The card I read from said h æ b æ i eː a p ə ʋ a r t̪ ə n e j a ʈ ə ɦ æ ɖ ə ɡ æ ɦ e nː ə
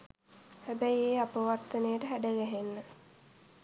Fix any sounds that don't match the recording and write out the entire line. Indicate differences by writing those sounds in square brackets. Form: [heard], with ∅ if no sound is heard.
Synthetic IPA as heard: h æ b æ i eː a p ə ʋ a r t̪ ə n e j [ə] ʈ ə ɦ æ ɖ ə ɡ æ ɦ e nː ə